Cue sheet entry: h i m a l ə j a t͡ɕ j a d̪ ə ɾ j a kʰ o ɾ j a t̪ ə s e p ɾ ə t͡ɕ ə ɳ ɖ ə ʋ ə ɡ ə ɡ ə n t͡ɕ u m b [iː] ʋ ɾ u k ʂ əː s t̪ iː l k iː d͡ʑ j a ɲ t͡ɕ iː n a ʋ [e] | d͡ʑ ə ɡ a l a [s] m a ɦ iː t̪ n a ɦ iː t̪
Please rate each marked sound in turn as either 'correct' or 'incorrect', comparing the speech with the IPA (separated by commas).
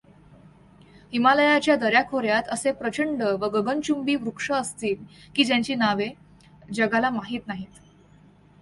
correct, correct, incorrect